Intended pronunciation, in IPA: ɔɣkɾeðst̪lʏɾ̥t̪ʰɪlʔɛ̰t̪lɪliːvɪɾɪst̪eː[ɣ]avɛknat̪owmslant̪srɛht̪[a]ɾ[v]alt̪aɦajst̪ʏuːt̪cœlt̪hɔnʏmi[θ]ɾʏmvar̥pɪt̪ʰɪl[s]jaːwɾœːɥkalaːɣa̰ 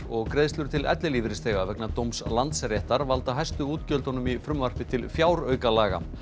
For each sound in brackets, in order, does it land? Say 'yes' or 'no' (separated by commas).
yes, yes, yes, no, no